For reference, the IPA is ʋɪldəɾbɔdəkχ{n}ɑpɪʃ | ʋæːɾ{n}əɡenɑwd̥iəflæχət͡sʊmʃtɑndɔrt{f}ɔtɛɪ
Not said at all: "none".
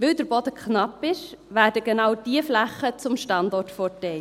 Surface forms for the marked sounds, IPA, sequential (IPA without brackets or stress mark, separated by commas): n, d, f